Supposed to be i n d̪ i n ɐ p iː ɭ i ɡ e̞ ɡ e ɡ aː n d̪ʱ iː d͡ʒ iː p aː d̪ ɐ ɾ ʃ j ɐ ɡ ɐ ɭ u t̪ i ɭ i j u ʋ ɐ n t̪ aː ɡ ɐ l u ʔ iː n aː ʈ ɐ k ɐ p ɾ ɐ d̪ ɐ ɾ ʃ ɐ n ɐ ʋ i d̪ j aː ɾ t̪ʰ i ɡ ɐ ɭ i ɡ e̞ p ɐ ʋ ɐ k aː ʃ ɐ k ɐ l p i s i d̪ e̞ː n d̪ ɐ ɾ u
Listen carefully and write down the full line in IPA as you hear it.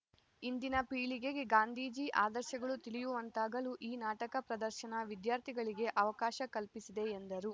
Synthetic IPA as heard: i n d̪ i n ɐ p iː ɭ i ɡ e̞ ɡ e ɡ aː n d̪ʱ iː d͡ʒ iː ʔ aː d̪ ɐ ɾ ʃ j ɐ ɡ ɐ ɭ u t̪ i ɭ i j u ʋ ɐ n t̪ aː ɡ ɐ l u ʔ iː n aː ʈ ɐ k ɐ p ɾ ɐ d̪ ɐ ɾ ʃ ɐ n ɐ ʋ i d̪ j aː ɾ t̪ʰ i ɡ ɐ ɭ i ɡ e̞ ʔ ɐ ʋ ɐ k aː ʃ ɐ k ɐ l p i s i d̪ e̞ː n d̪ ɐ ɾ u